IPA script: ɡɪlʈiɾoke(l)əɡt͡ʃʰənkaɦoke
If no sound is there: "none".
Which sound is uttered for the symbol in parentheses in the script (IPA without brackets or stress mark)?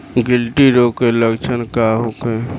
l